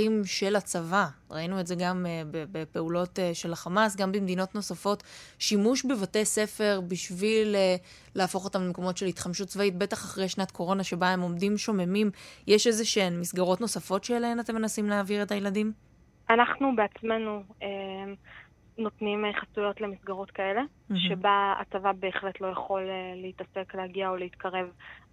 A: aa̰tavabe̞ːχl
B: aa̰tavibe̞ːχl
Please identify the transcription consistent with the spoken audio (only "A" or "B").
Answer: A